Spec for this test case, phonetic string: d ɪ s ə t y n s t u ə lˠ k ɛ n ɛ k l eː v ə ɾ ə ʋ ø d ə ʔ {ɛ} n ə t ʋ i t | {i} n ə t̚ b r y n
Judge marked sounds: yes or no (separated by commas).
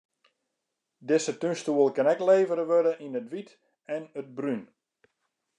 no, no